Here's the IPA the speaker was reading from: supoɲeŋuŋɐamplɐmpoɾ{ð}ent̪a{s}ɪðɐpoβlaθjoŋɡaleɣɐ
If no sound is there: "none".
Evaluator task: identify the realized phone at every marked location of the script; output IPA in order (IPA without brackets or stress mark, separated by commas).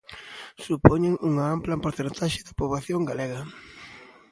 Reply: θ, ʃ